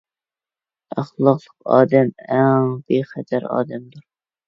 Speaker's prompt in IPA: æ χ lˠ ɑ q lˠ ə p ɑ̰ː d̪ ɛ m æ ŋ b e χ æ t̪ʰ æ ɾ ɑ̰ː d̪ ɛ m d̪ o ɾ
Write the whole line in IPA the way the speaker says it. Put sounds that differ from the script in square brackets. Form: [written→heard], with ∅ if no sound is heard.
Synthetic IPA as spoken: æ χ lˠ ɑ q lˠ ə [p→q] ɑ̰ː d̪ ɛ m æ ŋ b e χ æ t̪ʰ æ ɾ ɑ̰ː d̪ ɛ m d̪ [o→u] ɾ